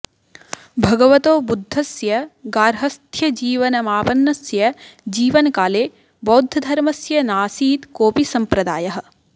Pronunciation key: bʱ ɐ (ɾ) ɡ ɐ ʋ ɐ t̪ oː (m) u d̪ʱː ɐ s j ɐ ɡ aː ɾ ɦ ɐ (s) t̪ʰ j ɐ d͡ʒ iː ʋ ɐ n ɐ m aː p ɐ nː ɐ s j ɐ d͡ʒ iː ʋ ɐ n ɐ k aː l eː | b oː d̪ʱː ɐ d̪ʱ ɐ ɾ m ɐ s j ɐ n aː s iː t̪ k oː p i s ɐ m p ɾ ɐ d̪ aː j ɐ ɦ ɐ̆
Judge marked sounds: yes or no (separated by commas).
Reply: no, no, yes